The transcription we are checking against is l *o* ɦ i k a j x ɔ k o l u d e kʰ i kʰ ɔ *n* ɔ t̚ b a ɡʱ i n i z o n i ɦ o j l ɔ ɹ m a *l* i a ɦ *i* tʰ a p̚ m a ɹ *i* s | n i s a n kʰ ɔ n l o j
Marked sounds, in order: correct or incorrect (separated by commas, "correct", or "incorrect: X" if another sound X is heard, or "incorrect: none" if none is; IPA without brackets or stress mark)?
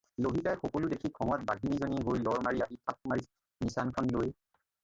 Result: correct, incorrect: ŋ, incorrect: ɹ, correct, correct